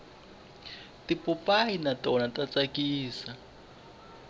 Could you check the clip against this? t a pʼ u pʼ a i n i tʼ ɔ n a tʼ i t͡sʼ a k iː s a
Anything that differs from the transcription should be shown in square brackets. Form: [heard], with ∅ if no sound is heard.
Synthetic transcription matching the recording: t [i] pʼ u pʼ a i n [a] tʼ ɔ n a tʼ [a] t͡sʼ a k iː s a